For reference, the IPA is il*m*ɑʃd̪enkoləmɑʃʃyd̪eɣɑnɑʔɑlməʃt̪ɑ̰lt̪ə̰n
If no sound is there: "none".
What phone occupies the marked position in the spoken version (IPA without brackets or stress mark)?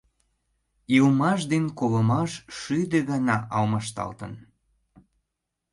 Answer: m